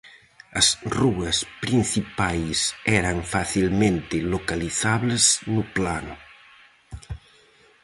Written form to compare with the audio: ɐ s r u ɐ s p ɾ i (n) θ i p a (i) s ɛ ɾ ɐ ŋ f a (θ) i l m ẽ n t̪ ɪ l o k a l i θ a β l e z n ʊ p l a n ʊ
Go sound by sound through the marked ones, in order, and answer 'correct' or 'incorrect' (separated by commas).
correct, incorrect, correct